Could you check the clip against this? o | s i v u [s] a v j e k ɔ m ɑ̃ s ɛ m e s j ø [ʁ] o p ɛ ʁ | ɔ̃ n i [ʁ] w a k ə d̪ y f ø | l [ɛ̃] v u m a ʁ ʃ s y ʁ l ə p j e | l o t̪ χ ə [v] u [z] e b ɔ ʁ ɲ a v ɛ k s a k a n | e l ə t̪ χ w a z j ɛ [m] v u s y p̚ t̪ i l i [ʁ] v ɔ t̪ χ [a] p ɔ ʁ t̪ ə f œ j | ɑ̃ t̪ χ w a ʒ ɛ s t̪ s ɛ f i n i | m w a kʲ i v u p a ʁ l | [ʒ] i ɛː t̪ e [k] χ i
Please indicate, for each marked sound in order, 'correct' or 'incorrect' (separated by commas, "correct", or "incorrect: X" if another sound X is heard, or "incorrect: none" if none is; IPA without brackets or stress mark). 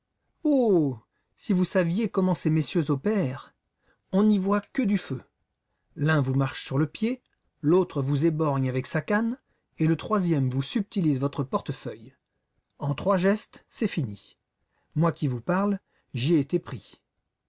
correct, incorrect: z, incorrect: v, correct, correct, correct, correct, incorrect: z, incorrect: ə, correct, incorrect: p